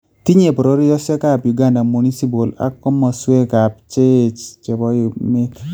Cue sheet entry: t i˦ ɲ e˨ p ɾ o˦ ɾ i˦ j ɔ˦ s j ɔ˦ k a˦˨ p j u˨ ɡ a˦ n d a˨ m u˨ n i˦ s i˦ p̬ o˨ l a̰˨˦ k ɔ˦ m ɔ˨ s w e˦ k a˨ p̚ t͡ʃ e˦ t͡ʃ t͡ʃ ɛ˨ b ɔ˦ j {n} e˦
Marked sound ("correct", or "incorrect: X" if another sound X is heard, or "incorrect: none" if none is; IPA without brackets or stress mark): incorrect: m